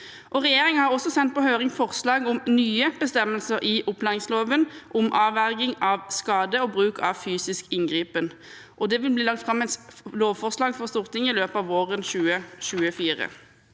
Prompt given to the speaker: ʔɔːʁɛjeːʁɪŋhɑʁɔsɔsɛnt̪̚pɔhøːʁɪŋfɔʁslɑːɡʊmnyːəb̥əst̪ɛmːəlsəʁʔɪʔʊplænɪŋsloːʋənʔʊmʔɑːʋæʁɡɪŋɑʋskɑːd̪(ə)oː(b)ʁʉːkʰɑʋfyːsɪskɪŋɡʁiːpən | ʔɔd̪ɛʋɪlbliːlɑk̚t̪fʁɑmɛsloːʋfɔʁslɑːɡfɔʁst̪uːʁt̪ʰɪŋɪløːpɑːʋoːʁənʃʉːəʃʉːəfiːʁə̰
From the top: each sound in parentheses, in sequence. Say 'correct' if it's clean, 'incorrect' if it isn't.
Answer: correct, correct

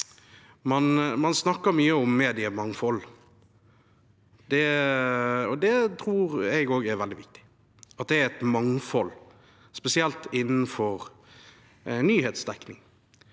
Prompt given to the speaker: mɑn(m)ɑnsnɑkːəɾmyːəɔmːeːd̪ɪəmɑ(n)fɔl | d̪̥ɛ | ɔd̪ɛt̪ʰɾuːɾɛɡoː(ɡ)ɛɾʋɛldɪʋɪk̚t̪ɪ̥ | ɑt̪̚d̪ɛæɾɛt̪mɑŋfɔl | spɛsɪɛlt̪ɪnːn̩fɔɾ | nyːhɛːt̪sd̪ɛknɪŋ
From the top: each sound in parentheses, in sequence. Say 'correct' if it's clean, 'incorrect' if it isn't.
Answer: correct, incorrect: ŋ, correct

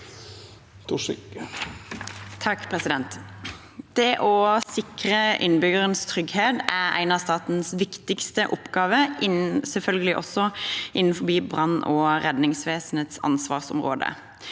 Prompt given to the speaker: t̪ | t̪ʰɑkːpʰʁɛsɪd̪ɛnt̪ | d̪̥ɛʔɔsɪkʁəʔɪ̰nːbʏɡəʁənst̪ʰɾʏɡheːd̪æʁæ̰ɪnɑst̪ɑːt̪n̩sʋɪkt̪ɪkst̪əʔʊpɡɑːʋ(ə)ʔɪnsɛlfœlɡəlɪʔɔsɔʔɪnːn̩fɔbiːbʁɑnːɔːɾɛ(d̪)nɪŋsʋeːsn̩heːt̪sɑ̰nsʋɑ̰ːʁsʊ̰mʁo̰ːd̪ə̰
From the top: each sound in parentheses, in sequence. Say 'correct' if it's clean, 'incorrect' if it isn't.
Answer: correct, correct

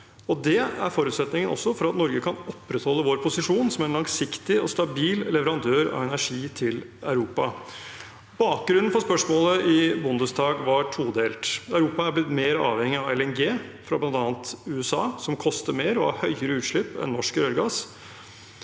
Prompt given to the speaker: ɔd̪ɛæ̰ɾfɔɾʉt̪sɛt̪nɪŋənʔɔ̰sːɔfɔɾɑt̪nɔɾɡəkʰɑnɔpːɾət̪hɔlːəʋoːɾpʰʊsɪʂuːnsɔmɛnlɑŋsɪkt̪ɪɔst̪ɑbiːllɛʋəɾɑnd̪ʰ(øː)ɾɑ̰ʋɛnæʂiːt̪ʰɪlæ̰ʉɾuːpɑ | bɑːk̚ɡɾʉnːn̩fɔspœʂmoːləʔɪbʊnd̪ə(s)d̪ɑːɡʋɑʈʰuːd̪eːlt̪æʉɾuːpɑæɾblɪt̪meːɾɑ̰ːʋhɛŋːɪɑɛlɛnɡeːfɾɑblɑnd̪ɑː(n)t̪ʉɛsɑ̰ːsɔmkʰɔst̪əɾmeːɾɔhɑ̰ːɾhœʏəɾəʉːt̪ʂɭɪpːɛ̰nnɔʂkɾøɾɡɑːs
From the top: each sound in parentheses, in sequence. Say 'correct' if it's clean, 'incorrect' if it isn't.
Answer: correct, correct, correct

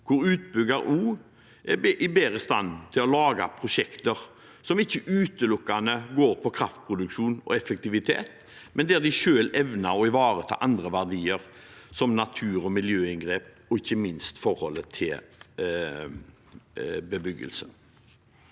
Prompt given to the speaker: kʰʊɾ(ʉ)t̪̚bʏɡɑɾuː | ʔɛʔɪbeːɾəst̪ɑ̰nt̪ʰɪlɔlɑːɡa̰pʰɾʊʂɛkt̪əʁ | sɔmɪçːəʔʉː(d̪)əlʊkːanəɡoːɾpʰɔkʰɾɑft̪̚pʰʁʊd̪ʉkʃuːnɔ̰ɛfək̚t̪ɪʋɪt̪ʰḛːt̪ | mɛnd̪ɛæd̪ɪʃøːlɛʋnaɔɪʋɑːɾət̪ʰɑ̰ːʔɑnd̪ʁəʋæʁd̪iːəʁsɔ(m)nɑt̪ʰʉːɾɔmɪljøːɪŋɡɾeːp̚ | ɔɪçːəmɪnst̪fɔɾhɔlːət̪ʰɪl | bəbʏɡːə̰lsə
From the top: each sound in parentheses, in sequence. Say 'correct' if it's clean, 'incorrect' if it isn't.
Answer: incorrect: ʉː, incorrect: t̪, correct

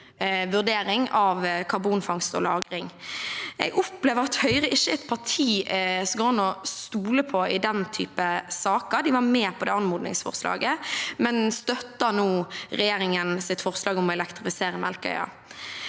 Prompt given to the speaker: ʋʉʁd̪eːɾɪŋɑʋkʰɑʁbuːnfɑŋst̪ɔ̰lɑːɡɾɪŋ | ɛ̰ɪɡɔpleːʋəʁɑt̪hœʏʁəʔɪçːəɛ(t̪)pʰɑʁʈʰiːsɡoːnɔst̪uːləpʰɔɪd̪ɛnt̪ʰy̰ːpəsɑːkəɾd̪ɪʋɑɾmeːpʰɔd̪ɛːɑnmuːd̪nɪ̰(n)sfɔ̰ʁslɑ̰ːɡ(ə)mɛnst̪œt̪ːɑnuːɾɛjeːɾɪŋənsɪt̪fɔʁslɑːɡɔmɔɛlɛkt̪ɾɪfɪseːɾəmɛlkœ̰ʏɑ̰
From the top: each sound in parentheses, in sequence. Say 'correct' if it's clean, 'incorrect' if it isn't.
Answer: correct, incorrect: ŋ, correct

